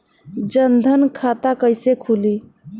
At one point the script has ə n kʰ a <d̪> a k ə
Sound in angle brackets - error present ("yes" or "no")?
yes